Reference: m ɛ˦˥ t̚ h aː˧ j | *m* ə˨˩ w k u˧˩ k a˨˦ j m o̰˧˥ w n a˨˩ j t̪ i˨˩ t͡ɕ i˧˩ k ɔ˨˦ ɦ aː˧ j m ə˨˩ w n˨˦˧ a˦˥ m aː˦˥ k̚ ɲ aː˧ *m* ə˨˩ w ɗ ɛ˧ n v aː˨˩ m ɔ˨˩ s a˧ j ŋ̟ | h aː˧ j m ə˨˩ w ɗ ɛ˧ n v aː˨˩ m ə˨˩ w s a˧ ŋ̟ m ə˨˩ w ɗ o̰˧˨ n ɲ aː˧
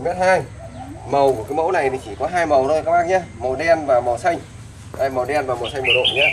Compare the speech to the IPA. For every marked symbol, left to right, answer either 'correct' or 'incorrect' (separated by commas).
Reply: correct, correct